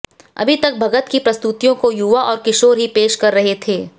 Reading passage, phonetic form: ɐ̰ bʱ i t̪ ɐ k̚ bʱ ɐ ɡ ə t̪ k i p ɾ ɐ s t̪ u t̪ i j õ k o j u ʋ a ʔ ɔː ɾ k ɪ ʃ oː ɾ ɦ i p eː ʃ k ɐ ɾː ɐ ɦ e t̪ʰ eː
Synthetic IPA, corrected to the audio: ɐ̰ bʱ i t̪ ɐ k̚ bʱ ɐ ɡ ə t̪ k i p ɾ ɐ s t̪ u t̪ i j õ k o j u ʋ a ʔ ɔː ɾ k ɪ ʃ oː ɾ ɦ i p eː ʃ k ɐ ɾː ɐ ɦ e t̪ʰ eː